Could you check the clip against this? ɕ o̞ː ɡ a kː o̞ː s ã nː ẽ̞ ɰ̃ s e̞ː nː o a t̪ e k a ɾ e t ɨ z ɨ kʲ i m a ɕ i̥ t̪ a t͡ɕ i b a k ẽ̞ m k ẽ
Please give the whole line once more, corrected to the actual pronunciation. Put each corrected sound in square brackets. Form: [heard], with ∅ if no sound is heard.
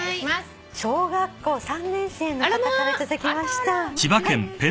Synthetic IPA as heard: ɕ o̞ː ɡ a kː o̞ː s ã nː ẽ̞ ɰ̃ s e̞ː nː o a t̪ [a] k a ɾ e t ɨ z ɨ kʲ i m a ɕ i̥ t̪ a t͡ɕ i b a k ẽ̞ m [p] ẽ